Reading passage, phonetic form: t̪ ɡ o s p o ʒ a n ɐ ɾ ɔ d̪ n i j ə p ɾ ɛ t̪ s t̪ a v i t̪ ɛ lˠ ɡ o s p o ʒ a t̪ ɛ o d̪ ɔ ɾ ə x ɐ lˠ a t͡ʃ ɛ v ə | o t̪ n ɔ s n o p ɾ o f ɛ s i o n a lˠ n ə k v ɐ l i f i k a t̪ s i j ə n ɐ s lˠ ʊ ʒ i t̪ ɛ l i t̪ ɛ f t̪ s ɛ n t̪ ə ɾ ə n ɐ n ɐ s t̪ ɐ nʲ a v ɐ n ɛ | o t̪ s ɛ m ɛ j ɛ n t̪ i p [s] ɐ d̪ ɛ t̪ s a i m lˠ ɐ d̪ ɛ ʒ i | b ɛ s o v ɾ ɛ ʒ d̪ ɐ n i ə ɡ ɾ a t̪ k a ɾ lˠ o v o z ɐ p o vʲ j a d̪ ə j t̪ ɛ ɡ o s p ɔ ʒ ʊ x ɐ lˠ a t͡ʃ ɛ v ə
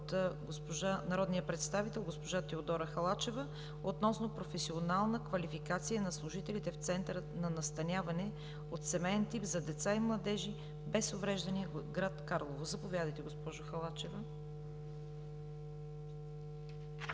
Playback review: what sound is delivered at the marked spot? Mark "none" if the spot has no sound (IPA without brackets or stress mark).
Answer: z